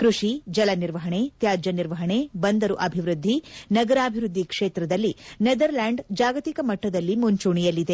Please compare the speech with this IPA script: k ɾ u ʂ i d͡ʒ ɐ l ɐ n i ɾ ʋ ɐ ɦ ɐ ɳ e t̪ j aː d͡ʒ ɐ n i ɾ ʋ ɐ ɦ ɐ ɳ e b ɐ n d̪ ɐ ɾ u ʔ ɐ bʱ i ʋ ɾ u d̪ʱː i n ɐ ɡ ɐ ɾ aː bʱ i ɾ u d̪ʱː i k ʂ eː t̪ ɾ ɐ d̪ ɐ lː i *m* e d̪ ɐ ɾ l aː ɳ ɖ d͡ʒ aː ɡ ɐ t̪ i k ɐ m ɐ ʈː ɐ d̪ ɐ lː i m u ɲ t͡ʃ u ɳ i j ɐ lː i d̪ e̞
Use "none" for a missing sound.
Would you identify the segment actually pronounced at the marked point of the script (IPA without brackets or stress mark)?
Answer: n